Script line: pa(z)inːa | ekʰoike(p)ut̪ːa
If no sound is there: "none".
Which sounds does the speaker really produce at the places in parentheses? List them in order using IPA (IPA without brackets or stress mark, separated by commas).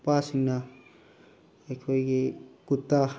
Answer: s, k